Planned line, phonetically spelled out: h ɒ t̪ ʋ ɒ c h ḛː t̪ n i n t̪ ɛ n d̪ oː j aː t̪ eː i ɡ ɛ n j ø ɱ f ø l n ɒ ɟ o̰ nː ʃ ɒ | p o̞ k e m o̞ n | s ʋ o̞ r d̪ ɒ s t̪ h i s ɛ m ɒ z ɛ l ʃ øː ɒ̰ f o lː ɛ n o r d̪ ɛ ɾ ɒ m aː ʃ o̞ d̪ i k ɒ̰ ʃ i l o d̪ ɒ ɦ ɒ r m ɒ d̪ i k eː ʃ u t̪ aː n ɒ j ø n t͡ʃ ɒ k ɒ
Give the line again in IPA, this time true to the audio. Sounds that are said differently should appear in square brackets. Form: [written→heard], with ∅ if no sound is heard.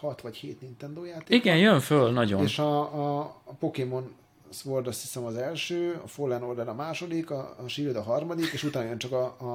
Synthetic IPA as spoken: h ɒ t̪ ʋ ɒ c h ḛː t̪ n i n t̪ ɛ n d̪ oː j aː t̪ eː i ɡ ɛ n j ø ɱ f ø l n ɒ ɟ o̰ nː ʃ ɒ | p o̞ k e m o̞ n | s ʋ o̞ r d̪ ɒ s t̪ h i s ɛ m ɒ z ɛ l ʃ øː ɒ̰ f o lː ɛ n o r d̪ ɛ ɾ ɒ m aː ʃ o̞ d̪ i k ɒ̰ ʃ i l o d̪ ɒ ɦ ɒ r m ɒ d̪ i k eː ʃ u t̪ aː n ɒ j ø n t͡ʃ ɒ k ɒ